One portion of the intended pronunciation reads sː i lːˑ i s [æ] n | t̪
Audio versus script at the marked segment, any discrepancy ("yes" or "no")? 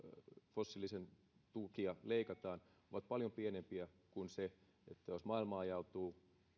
yes